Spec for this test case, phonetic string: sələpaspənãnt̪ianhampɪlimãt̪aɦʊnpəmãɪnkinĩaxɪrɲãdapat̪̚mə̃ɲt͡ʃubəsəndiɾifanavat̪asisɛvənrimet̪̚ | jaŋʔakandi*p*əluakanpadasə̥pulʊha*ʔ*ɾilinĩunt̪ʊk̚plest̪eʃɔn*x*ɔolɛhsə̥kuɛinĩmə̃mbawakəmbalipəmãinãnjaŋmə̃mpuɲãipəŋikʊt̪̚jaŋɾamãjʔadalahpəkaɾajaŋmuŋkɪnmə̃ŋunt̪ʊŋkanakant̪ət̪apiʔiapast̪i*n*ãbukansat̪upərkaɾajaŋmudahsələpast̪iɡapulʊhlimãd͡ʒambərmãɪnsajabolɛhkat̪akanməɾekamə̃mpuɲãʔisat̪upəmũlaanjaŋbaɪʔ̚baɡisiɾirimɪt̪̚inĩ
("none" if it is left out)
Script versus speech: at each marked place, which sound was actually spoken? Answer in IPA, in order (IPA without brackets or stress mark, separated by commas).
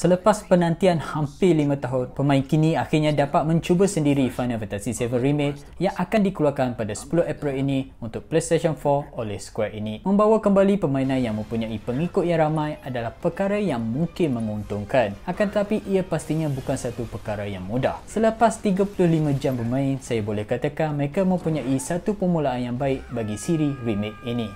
k, p, f, ɲ